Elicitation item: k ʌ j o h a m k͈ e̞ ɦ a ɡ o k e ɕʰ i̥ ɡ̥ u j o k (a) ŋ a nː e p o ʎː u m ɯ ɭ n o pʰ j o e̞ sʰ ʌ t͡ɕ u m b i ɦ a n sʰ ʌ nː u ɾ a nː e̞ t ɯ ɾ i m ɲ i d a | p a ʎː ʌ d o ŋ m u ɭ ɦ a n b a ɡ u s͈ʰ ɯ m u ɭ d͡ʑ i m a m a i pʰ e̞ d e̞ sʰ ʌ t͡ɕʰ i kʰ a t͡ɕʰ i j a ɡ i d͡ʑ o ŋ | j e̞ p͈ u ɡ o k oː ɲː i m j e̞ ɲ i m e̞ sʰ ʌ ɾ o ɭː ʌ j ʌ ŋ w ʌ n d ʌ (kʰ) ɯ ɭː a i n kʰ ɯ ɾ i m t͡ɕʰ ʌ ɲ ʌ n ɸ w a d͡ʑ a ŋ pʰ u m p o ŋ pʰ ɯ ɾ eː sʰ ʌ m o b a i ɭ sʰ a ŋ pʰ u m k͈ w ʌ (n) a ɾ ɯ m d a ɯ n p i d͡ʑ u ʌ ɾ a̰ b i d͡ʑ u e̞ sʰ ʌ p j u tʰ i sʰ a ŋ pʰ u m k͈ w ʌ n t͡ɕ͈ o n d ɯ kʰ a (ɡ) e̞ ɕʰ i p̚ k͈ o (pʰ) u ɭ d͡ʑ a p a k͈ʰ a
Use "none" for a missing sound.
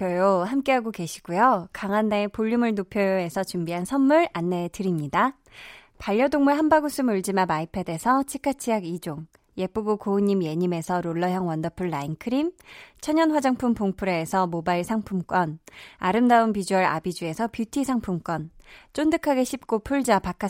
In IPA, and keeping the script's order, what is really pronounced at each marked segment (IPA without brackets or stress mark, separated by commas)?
a, pʰ, n, ɡ, pʰ